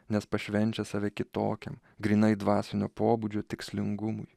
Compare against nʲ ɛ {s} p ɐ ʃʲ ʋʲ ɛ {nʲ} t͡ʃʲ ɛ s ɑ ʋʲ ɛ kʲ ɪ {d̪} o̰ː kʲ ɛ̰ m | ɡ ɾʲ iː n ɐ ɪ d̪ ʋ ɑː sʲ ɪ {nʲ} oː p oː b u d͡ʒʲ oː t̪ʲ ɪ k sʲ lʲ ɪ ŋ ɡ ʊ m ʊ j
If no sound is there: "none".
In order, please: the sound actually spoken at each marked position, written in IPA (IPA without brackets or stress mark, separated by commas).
s, nʲ, t̪, nʲ